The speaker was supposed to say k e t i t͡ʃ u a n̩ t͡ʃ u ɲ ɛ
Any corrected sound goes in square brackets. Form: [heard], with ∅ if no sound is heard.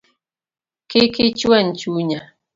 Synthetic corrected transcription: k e [k] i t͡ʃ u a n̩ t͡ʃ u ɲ [a]